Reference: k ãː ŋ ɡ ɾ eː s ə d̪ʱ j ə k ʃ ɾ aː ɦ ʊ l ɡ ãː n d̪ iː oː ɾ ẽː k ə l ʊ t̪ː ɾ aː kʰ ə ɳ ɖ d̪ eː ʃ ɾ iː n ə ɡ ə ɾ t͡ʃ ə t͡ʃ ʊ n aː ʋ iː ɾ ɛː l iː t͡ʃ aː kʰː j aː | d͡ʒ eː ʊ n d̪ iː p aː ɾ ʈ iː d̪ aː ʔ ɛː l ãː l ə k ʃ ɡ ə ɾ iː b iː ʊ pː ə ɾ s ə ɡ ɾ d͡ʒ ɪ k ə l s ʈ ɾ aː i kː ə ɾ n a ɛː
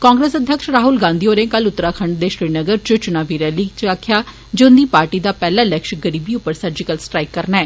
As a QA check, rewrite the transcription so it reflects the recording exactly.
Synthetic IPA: k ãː ŋ ɡ ɾ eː s ə d̪ʱ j ə k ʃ ɾ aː ɦ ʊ l ɡ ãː n d̪ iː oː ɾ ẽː k ə l ʊ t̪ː ɾ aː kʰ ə ɳ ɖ d̪ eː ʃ ɾ iː n ə ɡ ə ɾ t͡ʃ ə t͡ʃ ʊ n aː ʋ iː ɾ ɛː l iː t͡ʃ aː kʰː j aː | d͡ʒ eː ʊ n d̪ iː p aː ɾ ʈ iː d̪ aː p ɛː l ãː l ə k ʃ ɡ ə ɾ iː b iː ʊ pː ə ɾ s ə ɾ d͡ʒ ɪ k ə l s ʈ ɾ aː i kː ə ɾ n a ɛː